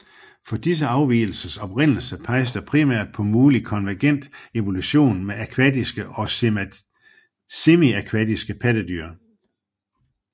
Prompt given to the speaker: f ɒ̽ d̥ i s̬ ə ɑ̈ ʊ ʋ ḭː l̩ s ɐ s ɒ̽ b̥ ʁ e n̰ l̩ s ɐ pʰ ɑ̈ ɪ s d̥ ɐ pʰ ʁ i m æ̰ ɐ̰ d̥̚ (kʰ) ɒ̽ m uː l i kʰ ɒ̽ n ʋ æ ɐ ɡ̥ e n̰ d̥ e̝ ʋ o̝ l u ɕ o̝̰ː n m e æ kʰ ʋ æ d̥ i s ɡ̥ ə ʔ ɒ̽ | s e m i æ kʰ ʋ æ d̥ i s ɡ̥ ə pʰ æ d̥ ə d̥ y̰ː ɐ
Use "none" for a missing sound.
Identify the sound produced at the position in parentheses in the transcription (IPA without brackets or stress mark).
pʰ